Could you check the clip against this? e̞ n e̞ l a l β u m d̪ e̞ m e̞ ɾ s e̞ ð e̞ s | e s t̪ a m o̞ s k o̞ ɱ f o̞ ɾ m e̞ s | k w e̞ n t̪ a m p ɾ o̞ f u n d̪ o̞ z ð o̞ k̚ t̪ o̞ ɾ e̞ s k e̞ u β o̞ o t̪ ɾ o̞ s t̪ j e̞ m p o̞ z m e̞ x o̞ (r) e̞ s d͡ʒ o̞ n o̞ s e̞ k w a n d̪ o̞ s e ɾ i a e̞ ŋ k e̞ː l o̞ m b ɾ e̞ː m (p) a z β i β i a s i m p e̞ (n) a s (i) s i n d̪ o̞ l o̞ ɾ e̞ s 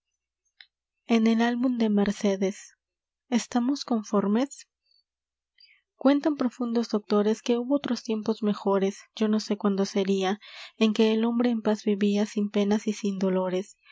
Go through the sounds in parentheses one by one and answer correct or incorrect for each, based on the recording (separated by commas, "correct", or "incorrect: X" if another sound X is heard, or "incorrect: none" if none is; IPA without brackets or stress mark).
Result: incorrect: ɾ, correct, correct, correct